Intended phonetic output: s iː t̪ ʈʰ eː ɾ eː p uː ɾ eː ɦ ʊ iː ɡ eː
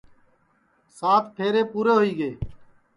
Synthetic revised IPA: s aː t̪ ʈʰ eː ɾ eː p uː ɾ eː ɦ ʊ iː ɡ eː